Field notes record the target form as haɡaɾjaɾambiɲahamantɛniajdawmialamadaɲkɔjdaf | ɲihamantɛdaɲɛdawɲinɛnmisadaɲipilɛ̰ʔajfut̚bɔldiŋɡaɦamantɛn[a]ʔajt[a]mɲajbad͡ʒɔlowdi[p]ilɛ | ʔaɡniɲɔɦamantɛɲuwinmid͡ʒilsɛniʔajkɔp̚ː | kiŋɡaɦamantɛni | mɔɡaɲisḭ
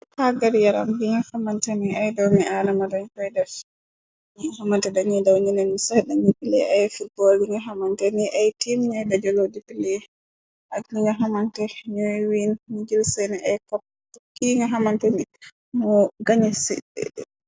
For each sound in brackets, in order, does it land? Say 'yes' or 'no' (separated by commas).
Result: no, no, yes